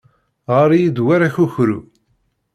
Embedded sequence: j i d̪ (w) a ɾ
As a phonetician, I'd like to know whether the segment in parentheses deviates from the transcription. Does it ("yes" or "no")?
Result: no